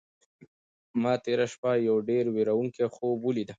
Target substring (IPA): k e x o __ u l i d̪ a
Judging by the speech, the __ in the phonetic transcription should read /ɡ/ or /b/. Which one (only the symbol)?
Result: b